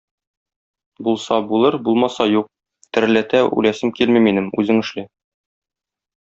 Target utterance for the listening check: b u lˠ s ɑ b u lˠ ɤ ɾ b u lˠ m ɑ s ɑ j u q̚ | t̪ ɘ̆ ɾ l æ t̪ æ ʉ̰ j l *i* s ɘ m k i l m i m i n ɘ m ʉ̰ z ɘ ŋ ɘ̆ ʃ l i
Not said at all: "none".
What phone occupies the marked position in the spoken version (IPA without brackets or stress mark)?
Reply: æ